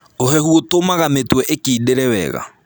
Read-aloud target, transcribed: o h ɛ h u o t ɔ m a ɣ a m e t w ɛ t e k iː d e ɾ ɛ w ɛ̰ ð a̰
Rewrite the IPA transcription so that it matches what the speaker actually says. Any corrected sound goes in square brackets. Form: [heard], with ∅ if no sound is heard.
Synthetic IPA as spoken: o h ɛ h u o t [o] m a ɣ a m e t w ɛ [ʔ] e k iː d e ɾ ɛ w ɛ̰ [ɣ] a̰